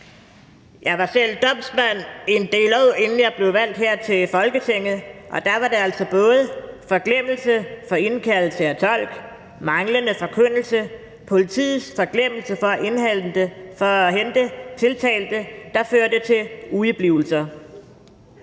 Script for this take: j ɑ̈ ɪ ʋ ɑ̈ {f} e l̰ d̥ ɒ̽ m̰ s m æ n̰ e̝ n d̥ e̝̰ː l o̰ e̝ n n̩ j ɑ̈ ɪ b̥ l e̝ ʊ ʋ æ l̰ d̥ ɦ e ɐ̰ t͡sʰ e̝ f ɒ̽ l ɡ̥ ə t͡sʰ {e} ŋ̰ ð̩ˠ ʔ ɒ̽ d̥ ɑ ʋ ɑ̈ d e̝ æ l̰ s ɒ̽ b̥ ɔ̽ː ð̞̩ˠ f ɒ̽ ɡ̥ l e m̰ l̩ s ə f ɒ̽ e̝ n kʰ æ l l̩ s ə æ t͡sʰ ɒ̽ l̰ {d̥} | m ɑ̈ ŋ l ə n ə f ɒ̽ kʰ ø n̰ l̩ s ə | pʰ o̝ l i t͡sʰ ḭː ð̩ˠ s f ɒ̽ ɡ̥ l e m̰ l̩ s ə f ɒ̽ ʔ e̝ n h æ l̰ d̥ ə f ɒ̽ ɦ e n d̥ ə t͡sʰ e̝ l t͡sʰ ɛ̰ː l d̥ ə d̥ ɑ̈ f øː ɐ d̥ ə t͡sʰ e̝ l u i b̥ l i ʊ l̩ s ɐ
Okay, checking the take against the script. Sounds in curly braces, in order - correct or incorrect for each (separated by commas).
incorrect, correct, incorrect